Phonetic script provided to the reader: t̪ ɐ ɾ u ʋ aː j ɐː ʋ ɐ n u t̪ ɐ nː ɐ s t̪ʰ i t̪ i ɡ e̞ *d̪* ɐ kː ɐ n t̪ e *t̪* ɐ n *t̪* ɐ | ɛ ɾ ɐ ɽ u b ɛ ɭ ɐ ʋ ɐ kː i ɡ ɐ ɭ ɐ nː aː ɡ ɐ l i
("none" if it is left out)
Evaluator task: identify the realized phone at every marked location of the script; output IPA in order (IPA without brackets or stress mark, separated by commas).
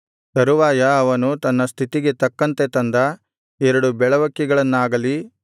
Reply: t̪, t̪, d̪